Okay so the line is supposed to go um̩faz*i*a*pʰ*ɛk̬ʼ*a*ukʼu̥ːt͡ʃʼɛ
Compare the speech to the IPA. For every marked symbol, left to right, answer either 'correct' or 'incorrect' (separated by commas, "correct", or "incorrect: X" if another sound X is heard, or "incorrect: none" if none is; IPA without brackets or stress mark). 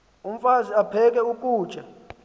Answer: correct, correct, incorrect: ɛ